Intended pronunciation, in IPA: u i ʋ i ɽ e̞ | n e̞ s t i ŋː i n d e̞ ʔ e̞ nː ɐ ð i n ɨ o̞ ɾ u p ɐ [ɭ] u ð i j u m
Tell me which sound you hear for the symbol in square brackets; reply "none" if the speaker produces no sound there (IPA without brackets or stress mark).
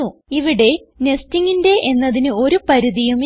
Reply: ɾ